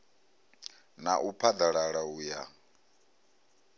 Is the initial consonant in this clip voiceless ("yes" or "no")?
no